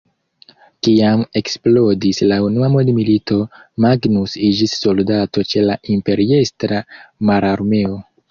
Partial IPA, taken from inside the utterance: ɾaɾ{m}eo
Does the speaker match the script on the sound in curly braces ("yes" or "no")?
yes